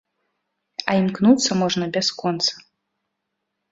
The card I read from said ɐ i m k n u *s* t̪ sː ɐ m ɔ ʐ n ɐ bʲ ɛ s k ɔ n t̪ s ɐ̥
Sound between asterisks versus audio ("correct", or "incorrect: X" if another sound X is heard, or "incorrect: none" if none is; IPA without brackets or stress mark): incorrect: none